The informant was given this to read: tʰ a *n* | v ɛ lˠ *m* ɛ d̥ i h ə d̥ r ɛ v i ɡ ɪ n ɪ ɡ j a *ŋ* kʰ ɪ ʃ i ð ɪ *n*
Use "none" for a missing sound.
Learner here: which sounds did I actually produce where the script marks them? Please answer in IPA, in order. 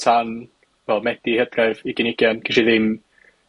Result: n, m, n, m

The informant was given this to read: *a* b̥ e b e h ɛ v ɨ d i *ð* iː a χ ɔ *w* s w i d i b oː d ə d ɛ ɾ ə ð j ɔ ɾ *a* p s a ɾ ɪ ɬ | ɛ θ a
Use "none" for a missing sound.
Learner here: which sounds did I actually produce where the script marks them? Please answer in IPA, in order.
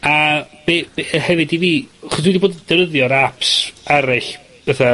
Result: a, v, none, a

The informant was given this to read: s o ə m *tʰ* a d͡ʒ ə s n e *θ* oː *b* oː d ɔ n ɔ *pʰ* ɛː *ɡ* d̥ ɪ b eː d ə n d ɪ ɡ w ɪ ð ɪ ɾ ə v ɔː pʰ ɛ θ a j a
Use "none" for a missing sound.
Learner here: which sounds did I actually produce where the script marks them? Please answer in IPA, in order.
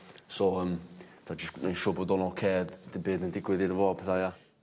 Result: tʰ, ʃ, b, kʰ, d

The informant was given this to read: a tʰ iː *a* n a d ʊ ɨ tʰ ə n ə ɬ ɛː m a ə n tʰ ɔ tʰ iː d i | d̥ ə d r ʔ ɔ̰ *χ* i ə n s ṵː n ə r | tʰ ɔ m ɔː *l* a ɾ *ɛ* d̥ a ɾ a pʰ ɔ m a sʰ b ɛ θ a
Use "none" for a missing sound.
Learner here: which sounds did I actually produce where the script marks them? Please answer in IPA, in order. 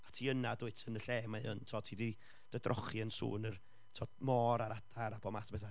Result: ə, χ, ɾ, a

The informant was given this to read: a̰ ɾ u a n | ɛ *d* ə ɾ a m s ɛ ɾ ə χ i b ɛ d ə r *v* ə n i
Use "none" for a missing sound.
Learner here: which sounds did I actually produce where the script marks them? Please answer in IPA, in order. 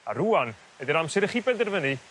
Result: d, v

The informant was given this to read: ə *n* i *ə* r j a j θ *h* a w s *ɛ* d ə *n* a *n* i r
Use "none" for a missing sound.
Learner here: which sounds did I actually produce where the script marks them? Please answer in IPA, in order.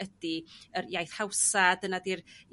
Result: d, ə, h, a, n, d

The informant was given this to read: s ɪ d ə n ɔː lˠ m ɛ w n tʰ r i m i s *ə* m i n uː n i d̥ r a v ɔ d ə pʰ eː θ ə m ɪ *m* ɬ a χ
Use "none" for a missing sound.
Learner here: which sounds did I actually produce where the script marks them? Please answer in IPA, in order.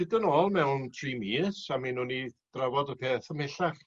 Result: a, none

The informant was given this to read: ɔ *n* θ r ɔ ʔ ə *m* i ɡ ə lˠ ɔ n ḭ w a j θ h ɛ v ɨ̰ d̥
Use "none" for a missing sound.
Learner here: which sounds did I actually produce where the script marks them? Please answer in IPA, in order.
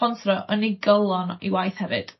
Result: n, n

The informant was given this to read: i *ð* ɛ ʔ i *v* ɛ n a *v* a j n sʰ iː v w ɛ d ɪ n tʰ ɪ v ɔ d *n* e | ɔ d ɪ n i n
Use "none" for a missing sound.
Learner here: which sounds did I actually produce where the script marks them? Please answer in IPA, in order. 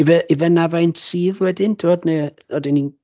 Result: v, v, v, n

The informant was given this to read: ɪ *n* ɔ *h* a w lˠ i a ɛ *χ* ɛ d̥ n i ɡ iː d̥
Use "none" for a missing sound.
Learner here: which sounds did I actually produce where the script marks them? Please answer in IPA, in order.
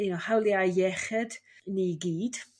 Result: n, h, χ

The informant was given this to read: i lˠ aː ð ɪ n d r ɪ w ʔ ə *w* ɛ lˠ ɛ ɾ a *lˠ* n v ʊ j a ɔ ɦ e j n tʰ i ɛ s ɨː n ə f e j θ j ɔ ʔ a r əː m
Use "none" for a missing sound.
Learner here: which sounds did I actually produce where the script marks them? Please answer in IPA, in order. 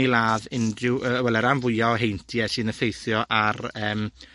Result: w, none

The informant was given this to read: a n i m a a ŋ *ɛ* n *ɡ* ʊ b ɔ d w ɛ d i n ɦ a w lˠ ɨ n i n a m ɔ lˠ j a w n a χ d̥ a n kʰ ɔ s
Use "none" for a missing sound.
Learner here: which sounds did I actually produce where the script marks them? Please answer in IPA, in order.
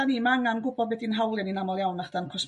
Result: a, ɡ

